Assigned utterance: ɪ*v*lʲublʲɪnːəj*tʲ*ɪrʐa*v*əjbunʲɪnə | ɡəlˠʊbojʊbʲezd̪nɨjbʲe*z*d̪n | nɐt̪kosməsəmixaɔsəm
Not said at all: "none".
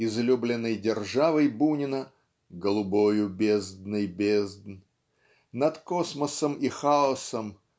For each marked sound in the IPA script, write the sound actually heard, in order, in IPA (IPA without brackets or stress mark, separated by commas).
z, dʲ, v, z